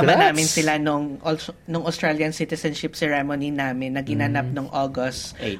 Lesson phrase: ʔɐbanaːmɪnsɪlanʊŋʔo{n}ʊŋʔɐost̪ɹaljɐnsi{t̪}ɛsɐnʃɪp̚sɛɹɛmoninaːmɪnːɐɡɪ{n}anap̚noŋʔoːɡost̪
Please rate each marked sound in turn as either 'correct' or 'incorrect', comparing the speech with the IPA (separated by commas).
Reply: correct, correct, correct